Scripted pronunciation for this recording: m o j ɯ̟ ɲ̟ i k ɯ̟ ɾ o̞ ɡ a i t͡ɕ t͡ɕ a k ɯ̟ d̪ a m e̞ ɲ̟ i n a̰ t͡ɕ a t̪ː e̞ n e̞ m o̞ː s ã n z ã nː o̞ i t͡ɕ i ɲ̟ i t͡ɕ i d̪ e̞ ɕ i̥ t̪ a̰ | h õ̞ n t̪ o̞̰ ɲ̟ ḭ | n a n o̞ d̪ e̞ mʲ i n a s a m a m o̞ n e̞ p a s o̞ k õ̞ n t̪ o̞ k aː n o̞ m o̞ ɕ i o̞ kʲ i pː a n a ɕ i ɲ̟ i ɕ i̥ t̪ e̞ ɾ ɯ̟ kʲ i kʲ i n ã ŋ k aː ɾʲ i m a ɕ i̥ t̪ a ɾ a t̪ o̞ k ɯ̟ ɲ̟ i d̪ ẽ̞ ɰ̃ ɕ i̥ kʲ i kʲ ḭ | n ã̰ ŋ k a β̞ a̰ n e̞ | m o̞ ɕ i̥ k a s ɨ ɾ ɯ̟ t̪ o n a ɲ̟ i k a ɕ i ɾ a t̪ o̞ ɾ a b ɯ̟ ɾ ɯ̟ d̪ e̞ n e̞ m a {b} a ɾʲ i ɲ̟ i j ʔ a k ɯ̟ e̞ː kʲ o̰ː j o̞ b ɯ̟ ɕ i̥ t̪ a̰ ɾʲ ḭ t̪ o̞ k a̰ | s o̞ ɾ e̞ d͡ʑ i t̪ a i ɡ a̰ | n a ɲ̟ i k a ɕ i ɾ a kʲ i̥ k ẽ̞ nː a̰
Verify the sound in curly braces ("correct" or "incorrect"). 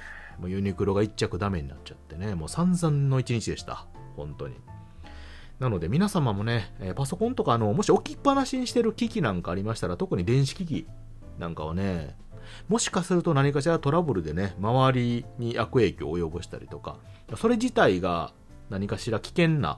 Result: incorrect